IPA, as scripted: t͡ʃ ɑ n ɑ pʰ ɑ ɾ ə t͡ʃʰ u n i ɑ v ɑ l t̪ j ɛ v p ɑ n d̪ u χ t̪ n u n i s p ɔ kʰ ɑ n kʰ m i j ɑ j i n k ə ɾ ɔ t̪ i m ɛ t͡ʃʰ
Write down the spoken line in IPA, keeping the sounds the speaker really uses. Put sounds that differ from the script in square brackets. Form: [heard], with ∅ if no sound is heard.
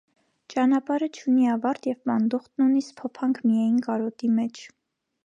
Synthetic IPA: t͡ʃ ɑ n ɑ [p] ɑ ɾ ə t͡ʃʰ u n i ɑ v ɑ [ɾ] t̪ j ɛ v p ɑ n d̪ u χ t̪ n u n i s [pʰ] ɔ [pʰ] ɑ [ŋ] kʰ m i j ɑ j i n k [ɑ] ɾ ɔ t̪ i m ɛ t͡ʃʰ

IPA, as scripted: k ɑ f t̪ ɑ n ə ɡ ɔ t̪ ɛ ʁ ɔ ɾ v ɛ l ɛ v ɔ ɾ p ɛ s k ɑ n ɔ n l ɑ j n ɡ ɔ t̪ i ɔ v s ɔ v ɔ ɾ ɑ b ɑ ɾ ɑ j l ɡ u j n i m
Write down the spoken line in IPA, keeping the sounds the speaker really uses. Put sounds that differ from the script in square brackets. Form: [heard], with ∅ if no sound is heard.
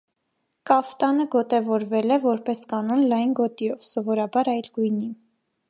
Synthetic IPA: k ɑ f t̪ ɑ n ə ɡ ɔ t̪ ɛ [v] ɔ ɾ v ɛ l ɛ v ɔ ɾ p ɛ s k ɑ n ɔ n l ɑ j n ɡ ɔ t̪ i ɔ v s ɔ v ɔ ɾ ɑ b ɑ ɾ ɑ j l ɡ u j n i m

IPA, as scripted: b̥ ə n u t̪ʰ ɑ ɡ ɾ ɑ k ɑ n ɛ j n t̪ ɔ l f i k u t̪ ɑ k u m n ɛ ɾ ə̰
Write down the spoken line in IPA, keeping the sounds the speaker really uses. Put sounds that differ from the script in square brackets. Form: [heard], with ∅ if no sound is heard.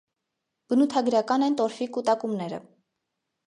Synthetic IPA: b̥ ə n u t̪ʰ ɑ ɡ ɾ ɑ k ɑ n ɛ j n t̪ ɔ [ɾ] f i k u t̪ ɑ k u m n ɛ ɾ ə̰

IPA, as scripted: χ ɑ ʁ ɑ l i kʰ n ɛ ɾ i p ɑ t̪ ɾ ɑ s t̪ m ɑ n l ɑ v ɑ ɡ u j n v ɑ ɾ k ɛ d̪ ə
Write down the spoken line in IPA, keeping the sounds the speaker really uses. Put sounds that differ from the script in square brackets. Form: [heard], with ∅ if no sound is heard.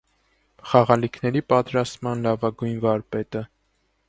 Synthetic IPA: χ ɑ ʁ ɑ l i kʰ n ɛ ɾ i p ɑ t̪ ɾ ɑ s t̪ m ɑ n l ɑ v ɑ ɡ u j n v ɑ ɾ [p] ɛ [t̪] ə

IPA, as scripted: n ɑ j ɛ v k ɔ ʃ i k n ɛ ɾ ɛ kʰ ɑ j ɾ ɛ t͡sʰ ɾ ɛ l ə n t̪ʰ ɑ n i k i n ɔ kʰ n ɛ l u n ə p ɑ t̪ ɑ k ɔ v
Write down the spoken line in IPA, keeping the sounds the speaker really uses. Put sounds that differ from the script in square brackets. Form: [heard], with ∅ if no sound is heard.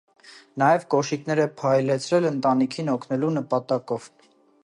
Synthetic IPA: n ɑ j ɛ v k ɔ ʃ i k n ɛ ɾ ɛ [pʰ] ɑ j [l] ɛ t͡sʰ ɾ ɛ l ə n [t̪] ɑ n i [kʰ] i n ɔ kʰ n ɛ l u n ə p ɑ t̪ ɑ k ɔ v

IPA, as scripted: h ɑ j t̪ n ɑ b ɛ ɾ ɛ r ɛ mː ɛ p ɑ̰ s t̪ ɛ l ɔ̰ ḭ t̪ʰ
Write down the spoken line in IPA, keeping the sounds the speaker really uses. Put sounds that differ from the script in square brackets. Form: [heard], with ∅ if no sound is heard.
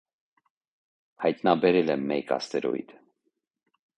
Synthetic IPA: h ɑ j t̪ n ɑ b ɛ ɾ ɛ [l] ɛ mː ɛ [k] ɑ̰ s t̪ ɛ [ɾ] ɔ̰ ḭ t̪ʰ

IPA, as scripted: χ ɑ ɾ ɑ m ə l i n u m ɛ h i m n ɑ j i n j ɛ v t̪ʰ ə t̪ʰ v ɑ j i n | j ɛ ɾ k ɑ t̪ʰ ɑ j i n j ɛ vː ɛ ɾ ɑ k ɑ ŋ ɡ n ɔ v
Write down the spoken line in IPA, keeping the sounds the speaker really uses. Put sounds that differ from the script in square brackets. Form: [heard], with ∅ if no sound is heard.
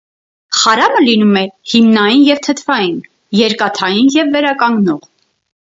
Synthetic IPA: χ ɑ ɾ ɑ m ə l i n u m ɛ h i m n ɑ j i n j ɛ v t̪ʰ ə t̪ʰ v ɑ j i n | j ɛ ɾ k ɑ t̪ʰ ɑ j i n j ɛ vː ɛ ɾ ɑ k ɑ ŋ ɡ n ɔ [ʁ]

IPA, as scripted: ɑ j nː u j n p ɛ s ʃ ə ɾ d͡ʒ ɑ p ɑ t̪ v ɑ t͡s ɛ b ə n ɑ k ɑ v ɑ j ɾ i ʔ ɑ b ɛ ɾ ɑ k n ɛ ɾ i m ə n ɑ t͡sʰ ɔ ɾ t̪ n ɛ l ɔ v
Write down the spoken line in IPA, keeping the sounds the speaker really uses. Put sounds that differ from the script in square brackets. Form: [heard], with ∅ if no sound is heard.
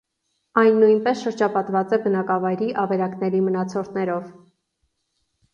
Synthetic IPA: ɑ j nː u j n p ɛ s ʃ ə ɾ d͡ʒ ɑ p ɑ t̪ v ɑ t͡s ɛ b ə n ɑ k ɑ v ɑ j ɾ i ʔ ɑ [v] ɛ ɾ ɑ k n ɛ ɾ i m ə n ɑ t͡sʰ ɔ ɾ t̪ n ɛ [ɾ] ɔ v

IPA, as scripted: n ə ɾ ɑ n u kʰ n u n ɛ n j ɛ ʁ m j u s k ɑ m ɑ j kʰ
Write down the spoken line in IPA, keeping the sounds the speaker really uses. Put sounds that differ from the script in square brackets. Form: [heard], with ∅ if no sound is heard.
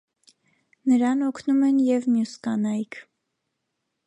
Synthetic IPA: n ə ɾ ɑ n [ɔ] kʰ n u [m] ɛ n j ɛ [v] m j u s k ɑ [n] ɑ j kʰ

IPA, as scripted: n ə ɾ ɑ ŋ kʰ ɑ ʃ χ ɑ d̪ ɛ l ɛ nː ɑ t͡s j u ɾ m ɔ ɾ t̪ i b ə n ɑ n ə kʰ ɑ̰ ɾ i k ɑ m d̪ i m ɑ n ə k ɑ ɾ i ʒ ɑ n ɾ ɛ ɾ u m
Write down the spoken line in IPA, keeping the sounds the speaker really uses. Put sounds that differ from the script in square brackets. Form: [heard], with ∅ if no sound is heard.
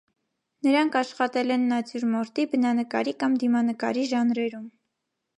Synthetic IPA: n ə ɾ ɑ ŋ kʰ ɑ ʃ χ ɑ [t̪] ɛ l ɛ nː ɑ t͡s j u ɾ m ɔ ɾ t̪ i b ə n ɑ n ə [k] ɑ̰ ɾ i k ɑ m d̪ i m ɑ n ə k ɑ ɾ i ʒ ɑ n ɾ ɛ ɾ u m

